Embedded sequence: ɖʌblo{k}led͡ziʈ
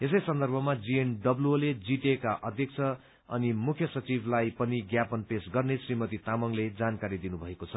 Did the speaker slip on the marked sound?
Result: yes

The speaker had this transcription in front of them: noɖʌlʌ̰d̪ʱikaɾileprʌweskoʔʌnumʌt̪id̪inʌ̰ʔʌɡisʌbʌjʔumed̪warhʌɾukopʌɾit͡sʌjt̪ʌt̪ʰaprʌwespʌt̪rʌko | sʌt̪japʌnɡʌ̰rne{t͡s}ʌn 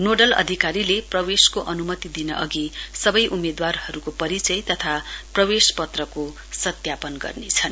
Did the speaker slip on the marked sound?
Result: yes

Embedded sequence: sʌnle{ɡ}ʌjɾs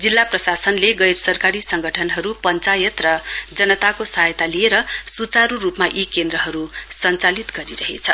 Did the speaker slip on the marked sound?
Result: no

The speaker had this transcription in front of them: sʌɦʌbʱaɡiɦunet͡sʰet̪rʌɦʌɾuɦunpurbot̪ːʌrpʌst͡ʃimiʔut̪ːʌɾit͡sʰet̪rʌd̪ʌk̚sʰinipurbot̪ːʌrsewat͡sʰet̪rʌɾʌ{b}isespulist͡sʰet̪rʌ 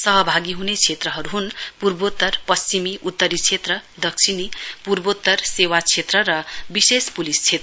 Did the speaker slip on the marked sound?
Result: no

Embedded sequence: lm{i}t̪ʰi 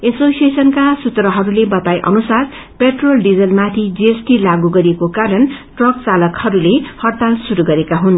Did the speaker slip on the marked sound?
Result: yes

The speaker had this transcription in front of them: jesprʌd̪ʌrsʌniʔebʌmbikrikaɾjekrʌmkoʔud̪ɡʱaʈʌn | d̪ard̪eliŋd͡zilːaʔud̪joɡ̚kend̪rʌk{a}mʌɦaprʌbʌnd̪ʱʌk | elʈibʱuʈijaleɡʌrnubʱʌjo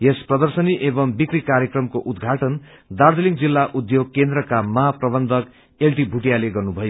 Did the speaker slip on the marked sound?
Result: no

